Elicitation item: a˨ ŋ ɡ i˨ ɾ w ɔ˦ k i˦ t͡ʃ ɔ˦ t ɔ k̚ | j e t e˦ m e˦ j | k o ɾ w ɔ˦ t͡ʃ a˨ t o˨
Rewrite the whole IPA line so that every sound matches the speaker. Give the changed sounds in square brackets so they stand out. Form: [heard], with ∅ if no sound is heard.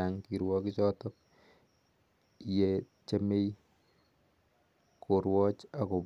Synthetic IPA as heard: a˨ ŋ [k] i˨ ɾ w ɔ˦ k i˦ t͡ʃ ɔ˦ t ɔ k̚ | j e [t͡ʃ] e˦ m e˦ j | k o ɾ w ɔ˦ t͡ʃ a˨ [k] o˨